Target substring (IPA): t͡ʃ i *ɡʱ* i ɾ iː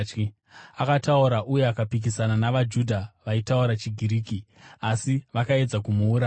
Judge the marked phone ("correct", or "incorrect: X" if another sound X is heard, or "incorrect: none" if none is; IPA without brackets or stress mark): correct